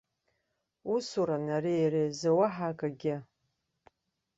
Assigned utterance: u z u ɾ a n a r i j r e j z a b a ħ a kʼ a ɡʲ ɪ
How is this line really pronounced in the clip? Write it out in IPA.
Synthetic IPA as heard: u s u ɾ a n a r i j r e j z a w a ħ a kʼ a ɡʲ ɪ